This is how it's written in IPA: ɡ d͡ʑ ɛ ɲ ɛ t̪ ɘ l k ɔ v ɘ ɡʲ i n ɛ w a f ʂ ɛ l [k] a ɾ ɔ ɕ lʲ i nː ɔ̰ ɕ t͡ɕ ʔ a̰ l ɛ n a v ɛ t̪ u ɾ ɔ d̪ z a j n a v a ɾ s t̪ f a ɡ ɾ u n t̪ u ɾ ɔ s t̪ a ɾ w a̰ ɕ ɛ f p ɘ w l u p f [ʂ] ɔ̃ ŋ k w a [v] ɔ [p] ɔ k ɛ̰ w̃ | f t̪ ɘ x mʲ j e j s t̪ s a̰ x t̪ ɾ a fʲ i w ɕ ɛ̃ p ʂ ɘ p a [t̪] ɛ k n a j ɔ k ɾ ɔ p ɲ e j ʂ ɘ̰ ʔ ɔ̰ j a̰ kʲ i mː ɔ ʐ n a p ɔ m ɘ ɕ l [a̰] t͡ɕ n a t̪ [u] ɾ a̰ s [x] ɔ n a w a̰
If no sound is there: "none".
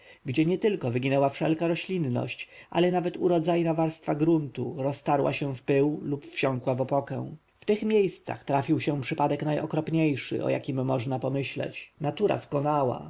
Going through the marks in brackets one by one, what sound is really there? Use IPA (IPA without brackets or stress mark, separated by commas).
k, ɕ, v, p, d̪, ɛ̰, u, k